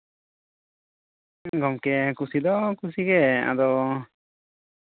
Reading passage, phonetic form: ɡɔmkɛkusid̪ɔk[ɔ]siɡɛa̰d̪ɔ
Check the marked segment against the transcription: incorrect: u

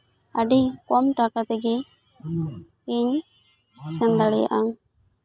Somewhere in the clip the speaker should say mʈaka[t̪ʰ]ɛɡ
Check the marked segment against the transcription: incorrect: t̪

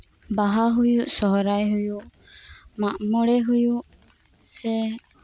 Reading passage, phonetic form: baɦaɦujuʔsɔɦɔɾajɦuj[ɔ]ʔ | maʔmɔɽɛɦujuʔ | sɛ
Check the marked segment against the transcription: incorrect: u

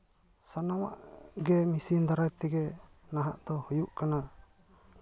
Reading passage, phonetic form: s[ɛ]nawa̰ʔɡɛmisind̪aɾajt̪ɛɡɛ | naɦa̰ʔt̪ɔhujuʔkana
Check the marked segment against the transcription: incorrect: a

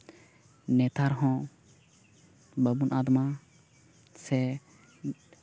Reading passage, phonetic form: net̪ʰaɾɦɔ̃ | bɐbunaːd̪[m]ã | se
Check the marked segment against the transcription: correct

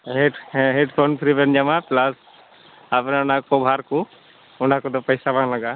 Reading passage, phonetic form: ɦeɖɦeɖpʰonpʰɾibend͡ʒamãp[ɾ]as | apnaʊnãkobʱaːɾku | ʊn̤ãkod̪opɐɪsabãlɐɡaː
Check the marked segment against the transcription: incorrect: l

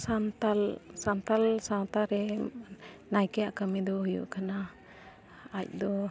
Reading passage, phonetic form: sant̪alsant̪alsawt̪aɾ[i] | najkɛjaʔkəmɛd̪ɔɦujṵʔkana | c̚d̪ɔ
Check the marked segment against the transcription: incorrect: ɛ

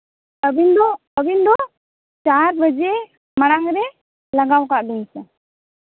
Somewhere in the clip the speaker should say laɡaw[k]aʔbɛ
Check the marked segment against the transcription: correct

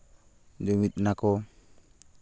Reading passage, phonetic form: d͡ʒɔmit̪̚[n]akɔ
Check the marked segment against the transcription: correct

